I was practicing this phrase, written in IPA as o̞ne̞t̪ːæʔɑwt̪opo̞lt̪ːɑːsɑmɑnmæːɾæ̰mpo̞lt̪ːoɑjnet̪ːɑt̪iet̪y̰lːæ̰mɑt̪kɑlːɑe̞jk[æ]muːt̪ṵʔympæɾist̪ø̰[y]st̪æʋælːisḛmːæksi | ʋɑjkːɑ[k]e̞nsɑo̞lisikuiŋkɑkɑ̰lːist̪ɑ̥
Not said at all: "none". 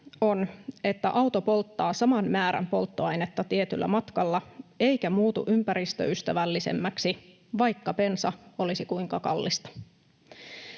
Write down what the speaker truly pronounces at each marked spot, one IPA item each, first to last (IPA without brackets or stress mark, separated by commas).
æ, y, p